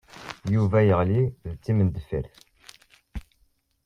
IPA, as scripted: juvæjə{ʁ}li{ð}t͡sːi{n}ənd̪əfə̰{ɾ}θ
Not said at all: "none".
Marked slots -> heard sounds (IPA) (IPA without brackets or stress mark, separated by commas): ʁ, ð, m, ɾ